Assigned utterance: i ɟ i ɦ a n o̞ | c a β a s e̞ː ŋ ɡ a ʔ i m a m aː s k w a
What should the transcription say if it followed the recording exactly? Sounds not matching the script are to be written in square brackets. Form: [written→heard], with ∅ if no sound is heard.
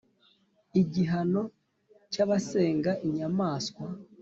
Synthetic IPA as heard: i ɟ i ɦ a n o̞ | c a β a s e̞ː ŋ ɡ a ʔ i [m→ɲ] a m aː s k w a